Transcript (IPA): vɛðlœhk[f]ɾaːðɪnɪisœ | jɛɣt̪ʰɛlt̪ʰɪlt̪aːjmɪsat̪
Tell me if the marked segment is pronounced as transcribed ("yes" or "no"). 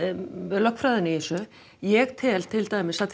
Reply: yes